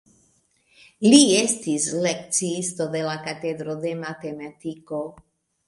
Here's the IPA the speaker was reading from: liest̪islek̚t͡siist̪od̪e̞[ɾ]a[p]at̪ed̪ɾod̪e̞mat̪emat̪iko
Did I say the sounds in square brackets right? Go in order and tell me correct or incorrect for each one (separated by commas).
incorrect, incorrect